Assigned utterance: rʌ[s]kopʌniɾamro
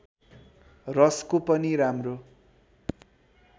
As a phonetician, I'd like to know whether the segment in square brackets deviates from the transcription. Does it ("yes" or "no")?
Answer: no